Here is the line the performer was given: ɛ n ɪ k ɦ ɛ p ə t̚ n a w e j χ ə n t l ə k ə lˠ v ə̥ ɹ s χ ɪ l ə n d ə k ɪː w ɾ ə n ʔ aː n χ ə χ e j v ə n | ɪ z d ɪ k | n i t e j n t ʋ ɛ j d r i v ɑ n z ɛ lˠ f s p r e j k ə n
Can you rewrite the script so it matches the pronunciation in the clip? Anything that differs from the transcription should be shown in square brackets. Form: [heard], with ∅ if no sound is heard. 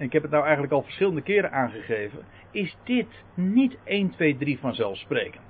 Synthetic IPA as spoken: ɛ n ɪ k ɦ ɛ p ə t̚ n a w [ɛ] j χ ə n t l ə k [ɑ] lˠ v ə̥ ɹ s χ ɪ l ə n d ə k ɪː [∅] ɾ ə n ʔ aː n χ ə χ e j v ə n | ɪ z d ɪ [t] | n i t e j n t ʋ [e] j d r i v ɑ n z ɛ lˠ f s p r e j k ə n